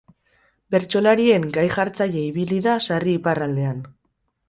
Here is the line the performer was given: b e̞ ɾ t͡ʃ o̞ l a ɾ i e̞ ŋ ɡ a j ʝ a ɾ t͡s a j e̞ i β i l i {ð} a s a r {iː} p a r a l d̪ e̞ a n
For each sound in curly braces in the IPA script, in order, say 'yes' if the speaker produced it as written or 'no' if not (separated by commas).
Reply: yes, yes